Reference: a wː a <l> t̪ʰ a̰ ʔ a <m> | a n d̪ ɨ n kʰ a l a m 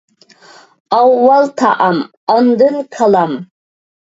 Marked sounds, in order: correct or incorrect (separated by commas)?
correct, correct